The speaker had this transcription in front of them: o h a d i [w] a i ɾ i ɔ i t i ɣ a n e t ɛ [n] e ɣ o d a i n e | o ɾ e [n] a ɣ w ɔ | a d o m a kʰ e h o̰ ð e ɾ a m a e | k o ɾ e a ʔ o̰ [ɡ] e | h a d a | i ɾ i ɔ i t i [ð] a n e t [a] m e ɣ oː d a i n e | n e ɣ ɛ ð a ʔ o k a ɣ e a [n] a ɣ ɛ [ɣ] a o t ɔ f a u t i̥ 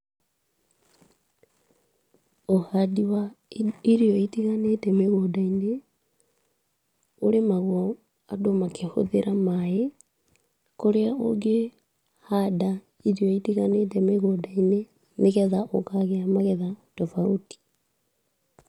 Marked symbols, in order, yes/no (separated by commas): yes, no, no, yes, no, no, no, no